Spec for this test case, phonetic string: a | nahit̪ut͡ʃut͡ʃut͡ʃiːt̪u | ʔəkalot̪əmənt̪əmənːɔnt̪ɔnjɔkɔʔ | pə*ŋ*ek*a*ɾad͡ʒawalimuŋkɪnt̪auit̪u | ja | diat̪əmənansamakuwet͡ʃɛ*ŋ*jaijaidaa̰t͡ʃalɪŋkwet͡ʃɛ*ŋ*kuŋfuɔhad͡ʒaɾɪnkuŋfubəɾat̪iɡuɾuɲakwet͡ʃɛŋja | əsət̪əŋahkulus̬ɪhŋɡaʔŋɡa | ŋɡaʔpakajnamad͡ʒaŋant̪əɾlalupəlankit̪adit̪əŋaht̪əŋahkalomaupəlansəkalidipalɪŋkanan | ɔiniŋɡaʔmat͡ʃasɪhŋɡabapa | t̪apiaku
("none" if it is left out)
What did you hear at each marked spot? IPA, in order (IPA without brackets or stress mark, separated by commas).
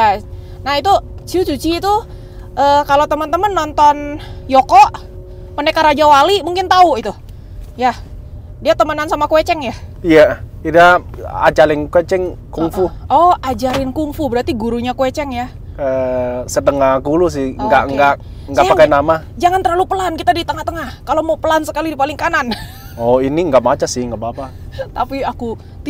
n, a, ŋ, ŋ